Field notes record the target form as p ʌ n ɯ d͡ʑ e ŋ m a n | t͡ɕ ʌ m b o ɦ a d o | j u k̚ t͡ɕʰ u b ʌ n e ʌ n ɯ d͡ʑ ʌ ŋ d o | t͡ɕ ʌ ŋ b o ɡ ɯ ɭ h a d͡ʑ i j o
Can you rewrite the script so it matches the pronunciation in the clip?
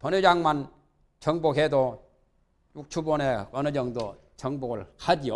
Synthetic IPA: p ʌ n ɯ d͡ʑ a ŋ m a n | t͡ɕ ʌ ŋ b o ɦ e d o | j u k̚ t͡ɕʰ u b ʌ n e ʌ n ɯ d͡ʑ ʌ ŋ d o | t͡ɕ ʌ ŋ b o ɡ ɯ ɭ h a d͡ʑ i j o